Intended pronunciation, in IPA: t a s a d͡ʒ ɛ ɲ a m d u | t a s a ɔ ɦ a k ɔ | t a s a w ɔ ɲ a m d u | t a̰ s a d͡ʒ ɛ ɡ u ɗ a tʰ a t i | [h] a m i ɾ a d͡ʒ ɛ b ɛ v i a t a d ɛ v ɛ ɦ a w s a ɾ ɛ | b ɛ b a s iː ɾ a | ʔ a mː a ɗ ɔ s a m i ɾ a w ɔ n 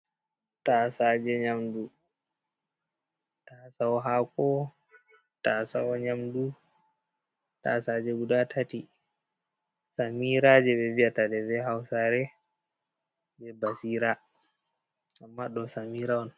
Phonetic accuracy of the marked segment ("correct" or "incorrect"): incorrect